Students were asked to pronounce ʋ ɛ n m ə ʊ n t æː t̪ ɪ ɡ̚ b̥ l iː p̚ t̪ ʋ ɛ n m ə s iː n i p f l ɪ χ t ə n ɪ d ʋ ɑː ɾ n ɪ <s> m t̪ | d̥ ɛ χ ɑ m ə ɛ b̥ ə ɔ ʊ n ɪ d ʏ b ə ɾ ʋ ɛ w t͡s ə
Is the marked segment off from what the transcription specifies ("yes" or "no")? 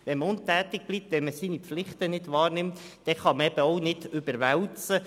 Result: yes